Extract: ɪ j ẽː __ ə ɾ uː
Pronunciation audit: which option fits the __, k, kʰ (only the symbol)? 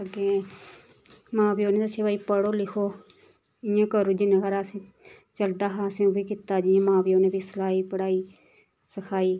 k